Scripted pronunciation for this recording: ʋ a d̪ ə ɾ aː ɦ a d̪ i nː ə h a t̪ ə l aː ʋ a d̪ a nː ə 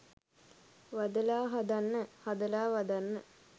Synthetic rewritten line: ʋ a d̪ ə l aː ɦ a d̪ a nː ə h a d̪ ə l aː ʋ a d̪ a nː ə